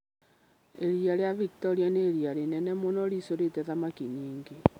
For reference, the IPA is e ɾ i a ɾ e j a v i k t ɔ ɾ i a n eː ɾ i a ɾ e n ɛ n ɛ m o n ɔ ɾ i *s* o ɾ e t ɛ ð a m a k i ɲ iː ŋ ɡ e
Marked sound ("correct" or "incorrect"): correct